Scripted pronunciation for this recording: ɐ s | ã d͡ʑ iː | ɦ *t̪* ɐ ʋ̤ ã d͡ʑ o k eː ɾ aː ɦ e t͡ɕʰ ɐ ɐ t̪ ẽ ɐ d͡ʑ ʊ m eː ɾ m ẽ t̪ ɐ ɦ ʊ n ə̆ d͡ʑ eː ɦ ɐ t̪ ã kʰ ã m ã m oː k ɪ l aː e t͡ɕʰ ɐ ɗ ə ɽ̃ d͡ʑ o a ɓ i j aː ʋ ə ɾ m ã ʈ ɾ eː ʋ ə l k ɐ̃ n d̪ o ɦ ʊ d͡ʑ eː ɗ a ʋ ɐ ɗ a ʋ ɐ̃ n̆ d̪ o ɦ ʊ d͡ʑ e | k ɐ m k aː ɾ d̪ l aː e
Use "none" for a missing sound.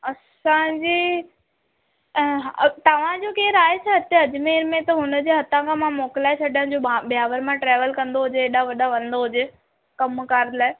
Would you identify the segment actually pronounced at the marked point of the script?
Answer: t̪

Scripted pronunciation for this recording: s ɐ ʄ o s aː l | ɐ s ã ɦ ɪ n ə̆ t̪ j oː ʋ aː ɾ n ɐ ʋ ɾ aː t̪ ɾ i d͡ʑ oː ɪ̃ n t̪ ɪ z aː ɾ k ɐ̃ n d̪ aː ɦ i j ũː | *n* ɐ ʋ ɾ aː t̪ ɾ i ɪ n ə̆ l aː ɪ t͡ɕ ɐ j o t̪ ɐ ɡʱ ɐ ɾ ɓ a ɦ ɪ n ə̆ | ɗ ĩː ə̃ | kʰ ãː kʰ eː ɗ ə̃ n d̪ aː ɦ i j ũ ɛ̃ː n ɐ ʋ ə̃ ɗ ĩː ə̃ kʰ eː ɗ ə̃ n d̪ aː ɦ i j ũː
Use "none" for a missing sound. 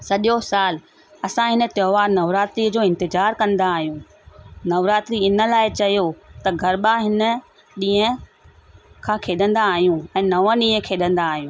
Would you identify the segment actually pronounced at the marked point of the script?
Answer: n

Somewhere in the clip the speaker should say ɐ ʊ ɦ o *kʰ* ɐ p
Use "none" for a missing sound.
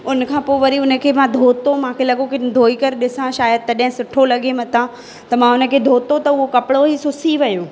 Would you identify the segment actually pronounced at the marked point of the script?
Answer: k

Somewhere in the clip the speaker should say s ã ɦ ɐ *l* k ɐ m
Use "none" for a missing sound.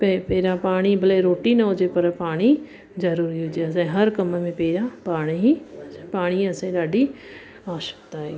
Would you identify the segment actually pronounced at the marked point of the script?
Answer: ɾ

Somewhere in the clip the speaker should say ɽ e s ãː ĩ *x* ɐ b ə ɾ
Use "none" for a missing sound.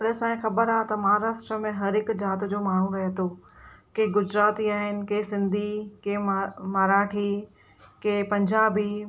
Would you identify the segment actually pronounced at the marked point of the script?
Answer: x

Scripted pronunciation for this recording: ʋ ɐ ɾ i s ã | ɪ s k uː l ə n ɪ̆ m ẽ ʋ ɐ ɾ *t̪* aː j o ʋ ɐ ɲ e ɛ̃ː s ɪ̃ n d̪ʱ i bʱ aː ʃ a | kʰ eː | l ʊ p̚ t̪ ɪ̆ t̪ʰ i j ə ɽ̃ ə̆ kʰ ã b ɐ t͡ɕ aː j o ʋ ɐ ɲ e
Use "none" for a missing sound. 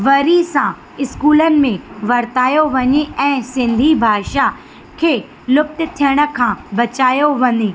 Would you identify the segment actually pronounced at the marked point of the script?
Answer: t̪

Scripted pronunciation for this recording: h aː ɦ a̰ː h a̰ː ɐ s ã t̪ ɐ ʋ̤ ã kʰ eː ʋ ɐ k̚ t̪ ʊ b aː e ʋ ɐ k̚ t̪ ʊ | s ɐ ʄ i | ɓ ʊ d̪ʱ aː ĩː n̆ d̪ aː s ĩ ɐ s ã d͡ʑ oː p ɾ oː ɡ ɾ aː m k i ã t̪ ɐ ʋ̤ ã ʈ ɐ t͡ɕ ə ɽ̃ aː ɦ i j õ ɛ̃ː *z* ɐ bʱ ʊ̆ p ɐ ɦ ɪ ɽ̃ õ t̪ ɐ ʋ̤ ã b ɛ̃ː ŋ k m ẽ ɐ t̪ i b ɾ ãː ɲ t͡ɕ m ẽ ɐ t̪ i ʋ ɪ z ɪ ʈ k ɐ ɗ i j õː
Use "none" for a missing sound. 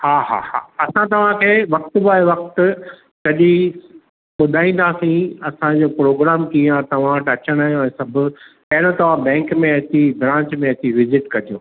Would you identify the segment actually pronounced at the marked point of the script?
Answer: s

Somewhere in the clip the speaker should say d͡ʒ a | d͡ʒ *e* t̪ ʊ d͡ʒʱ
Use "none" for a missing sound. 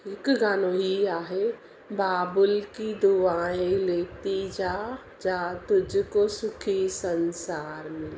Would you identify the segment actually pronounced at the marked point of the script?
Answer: a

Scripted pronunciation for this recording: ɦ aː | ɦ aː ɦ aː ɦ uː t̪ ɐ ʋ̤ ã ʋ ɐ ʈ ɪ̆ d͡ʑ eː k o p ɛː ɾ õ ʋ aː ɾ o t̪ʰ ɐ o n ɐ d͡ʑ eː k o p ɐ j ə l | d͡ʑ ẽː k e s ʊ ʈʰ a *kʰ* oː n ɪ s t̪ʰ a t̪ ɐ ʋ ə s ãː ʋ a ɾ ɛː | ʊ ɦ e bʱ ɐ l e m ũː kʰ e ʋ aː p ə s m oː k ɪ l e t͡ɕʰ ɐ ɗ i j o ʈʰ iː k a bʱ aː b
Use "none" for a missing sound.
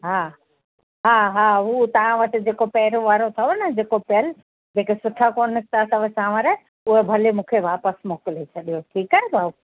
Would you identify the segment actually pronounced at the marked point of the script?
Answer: k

